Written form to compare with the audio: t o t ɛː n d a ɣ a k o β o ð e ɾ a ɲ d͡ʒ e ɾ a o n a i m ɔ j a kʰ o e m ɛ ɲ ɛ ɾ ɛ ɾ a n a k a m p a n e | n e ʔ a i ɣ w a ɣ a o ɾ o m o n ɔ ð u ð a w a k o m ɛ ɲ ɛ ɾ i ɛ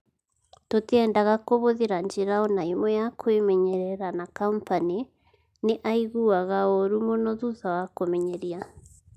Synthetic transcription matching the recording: t o t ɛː n d a ɣ a k o β o ð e ɾ a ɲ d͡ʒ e ɾ a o n a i m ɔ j a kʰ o e m ɛ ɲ ɛ ɾ ɛ ɾ a n a k a m p a n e | n e ʔ a i ɣ u a ɣ a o ɾ u m o n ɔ ð u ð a w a k o m ɛ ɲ ɛ ɾ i a